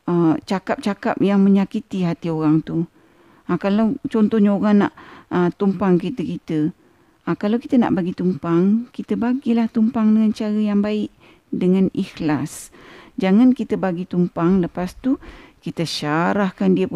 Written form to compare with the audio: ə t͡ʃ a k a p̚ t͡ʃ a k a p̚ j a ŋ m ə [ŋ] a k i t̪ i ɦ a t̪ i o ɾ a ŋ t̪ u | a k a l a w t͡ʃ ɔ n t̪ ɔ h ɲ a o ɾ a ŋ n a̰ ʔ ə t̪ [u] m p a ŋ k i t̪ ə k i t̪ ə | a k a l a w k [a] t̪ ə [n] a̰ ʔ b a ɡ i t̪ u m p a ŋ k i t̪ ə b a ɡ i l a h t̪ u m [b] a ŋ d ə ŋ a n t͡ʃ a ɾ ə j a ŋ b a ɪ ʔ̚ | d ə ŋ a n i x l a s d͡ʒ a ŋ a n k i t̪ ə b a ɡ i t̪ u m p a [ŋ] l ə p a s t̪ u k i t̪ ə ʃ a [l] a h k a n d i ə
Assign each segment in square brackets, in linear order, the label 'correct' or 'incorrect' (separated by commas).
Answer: incorrect, correct, incorrect, correct, incorrect, correct, incorrect